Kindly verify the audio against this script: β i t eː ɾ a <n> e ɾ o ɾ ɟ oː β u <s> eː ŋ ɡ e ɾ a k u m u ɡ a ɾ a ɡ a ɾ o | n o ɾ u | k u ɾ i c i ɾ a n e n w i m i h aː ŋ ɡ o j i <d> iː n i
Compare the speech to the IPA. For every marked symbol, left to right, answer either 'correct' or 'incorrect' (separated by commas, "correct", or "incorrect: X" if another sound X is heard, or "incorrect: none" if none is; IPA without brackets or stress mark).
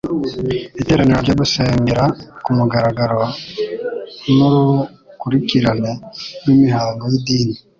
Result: correct, correct, correct